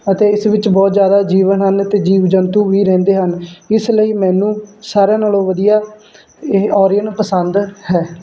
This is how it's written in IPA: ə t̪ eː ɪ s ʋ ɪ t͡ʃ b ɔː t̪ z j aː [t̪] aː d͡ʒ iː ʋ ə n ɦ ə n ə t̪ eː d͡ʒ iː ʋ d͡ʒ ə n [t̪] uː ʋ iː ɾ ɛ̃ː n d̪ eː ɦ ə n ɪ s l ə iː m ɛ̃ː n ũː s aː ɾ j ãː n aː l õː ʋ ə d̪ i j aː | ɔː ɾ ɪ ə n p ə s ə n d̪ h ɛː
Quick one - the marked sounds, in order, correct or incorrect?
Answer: incorrect, correct

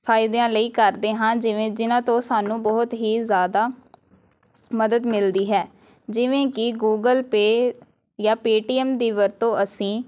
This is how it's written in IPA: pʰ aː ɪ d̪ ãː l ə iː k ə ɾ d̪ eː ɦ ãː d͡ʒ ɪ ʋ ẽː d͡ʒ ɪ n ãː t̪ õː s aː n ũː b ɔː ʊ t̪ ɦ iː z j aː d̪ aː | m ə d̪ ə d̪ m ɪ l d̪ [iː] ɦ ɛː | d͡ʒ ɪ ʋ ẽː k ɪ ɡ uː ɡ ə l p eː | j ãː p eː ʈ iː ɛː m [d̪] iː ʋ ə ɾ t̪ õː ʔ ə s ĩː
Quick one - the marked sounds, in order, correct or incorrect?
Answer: correct, correct

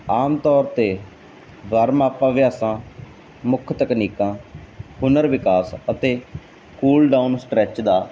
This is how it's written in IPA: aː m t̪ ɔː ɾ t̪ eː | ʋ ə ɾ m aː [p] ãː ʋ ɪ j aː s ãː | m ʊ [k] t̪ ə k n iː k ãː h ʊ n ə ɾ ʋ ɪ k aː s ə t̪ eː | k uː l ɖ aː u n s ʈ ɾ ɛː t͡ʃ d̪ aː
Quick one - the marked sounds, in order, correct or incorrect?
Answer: correct, incorrect

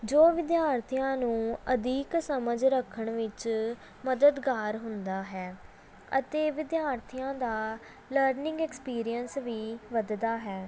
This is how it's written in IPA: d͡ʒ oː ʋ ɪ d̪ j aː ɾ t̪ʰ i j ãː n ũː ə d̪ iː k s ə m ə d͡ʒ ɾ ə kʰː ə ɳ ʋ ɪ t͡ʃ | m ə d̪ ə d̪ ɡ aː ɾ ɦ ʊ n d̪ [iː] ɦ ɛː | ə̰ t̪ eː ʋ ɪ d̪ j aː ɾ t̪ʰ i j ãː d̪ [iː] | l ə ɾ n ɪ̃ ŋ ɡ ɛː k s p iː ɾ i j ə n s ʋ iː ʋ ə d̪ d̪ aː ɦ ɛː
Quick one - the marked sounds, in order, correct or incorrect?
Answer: incorrect, incorrect

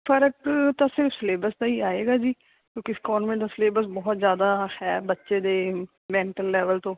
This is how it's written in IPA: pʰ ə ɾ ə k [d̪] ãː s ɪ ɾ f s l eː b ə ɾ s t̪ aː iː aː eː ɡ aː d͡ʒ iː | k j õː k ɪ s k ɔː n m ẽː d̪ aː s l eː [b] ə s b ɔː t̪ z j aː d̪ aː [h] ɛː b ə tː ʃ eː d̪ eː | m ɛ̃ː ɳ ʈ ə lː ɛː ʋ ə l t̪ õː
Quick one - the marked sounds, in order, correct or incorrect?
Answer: incorrect, correct, correct

